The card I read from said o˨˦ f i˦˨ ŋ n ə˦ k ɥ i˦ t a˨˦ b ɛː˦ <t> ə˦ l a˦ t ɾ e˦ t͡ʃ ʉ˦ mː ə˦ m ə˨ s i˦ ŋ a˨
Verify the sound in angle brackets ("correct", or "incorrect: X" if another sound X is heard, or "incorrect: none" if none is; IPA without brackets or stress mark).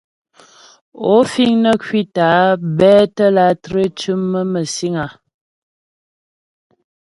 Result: correct